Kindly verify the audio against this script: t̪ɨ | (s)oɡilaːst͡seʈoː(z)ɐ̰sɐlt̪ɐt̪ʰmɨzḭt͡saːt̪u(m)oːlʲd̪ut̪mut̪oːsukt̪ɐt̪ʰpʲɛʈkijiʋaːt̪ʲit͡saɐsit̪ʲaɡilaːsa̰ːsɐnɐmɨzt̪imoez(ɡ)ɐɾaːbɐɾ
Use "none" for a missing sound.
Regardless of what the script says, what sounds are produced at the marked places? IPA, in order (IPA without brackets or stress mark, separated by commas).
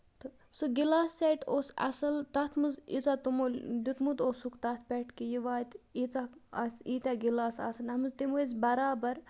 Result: s, s, m, b